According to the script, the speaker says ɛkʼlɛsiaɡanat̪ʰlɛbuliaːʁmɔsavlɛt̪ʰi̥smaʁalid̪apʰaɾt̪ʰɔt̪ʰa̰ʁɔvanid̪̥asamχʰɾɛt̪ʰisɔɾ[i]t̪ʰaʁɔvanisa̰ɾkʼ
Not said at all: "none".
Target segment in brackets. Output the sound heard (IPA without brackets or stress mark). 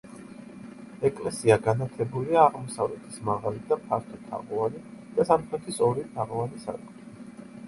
i